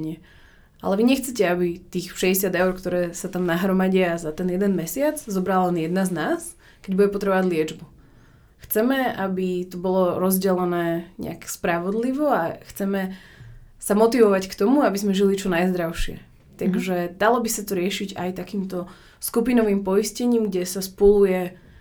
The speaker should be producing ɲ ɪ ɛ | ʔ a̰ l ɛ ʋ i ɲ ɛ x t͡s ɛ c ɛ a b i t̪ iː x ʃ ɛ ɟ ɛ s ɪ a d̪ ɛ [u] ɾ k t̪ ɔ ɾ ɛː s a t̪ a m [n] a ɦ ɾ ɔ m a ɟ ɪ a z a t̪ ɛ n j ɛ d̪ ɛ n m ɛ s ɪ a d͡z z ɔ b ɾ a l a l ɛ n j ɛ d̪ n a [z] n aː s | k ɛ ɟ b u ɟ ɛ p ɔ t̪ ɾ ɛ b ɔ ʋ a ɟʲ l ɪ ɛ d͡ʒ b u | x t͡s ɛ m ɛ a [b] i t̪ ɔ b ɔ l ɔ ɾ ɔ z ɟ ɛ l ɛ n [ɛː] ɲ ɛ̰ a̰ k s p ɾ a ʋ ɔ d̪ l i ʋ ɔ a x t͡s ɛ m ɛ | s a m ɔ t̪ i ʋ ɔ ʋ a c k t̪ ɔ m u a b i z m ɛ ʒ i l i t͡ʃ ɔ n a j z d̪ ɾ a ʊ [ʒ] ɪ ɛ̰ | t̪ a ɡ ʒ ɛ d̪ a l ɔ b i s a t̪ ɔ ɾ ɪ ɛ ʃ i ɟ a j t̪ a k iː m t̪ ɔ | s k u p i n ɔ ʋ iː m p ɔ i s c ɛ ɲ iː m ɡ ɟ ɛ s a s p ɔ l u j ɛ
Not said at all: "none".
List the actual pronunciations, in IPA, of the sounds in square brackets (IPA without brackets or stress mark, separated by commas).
ʊ, n, z, b, ɛː, ʃ